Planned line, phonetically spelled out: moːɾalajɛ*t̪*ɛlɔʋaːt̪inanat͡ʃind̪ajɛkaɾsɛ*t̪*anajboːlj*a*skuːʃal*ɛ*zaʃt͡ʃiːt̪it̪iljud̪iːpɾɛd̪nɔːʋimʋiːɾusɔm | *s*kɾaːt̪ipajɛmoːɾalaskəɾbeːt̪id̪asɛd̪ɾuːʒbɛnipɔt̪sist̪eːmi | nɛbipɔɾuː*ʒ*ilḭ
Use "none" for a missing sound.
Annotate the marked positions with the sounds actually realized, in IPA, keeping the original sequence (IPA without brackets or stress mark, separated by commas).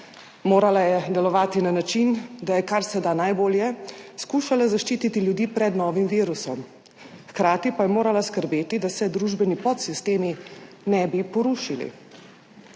d̪, d̪, ɛ, a, x, ʃ